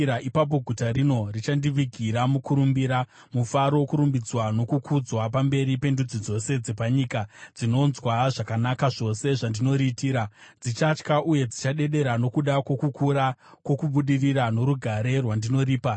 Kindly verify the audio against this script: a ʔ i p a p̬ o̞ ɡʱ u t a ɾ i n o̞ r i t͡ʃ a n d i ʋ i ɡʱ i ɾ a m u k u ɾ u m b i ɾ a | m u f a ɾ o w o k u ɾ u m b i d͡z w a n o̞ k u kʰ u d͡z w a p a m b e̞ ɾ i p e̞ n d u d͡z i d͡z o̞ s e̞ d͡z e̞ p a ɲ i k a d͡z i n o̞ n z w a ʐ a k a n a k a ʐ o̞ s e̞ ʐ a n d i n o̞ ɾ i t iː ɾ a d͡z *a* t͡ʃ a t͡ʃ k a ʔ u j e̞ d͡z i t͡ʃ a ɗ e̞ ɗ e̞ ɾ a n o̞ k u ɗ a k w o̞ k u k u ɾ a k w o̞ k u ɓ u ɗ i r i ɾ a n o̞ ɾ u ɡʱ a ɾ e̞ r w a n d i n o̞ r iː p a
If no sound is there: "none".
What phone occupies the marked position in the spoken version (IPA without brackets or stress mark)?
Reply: i